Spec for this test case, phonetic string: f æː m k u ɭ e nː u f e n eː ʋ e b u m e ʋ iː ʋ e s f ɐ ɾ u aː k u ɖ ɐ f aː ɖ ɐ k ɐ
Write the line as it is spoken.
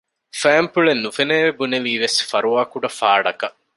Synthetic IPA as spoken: f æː m p u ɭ e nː u f e n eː ʋ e b u n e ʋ iː ʋ e s f ɐ ɾ u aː k u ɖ ɐ f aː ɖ ɐ k ɐ